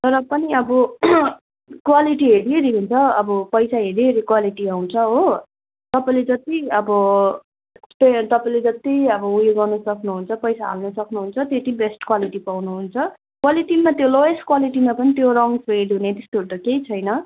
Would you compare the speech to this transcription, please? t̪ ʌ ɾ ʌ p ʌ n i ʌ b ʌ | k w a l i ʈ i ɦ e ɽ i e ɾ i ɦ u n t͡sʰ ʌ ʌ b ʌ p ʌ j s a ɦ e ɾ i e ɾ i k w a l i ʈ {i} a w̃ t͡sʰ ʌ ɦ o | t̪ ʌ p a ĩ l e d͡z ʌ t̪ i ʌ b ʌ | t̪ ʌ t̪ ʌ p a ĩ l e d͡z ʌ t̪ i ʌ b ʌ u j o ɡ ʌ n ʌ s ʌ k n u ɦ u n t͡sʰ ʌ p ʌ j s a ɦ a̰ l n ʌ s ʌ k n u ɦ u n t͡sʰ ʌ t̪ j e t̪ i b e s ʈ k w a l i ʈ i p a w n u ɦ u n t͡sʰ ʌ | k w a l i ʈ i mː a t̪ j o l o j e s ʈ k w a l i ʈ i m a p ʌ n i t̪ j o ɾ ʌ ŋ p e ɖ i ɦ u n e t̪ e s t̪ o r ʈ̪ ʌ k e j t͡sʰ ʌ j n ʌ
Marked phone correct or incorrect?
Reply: correct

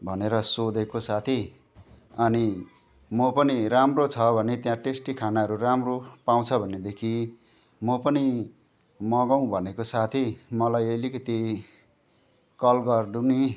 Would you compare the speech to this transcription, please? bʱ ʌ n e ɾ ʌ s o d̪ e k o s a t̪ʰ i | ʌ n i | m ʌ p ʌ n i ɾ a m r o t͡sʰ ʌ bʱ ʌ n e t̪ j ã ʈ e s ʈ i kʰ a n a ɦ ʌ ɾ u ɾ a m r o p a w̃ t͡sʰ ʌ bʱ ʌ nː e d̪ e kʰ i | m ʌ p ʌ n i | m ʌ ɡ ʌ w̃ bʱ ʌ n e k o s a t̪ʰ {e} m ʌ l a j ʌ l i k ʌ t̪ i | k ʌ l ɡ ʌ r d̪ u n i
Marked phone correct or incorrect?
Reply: incorrect: i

